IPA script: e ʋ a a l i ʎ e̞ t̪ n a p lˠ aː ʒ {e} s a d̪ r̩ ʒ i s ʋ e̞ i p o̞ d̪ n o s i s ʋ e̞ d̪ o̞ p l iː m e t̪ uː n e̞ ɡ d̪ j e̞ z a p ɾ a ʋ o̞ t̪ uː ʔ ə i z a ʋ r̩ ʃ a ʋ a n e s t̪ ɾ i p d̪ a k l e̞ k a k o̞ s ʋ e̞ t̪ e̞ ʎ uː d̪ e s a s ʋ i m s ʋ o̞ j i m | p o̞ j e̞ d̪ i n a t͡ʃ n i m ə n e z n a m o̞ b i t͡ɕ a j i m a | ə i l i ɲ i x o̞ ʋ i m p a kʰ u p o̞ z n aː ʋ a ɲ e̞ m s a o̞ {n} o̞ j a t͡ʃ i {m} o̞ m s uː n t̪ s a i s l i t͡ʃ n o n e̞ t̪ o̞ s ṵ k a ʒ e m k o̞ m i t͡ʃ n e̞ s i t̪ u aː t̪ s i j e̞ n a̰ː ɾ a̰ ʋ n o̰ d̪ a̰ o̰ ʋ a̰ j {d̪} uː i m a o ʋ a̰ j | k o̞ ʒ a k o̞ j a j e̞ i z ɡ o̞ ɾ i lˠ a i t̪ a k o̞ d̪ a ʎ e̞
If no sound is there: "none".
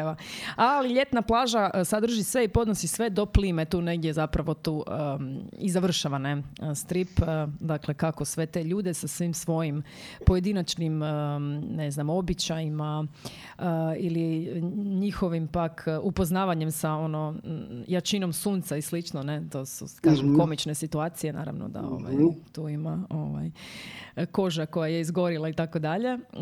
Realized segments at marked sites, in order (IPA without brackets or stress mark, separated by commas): a, n, n, t̪